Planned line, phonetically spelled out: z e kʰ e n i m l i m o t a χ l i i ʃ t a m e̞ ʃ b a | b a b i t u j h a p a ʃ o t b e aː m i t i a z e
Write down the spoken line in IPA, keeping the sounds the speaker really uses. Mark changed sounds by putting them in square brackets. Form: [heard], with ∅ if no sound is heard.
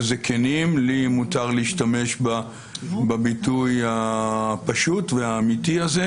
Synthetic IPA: z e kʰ e n i m l i m [u] t a [ʁ] l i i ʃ t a m e̞ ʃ b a | b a b i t u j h a p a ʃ [u] t [v] e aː m i t i a z e